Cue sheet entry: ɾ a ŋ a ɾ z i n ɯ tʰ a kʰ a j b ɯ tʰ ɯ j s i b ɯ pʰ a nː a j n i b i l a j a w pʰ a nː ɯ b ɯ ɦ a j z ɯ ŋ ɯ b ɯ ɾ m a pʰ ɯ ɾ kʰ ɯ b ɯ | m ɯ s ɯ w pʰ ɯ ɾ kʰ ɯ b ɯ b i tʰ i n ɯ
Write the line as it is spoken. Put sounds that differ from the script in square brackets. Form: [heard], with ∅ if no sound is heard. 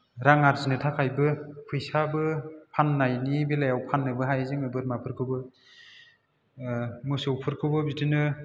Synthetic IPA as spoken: ɾ a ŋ a ɾ z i n ɯ tʰ a kʰ a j b ɯ [pʰ] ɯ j s [a] b ɯ pʰ a nː a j n i b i l a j a w pʰ a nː ɯ b ɯ ɦ a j z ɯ ŋ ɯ b ɯ ɾ m a pʰ ɯ ɾ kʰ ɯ b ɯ | m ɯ s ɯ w pʰ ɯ ɾ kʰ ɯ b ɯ b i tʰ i n ɯ